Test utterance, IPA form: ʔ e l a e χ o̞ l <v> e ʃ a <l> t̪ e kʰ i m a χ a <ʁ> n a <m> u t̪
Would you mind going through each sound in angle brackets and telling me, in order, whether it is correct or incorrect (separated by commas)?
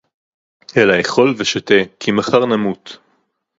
correct, incorrect, correct, correct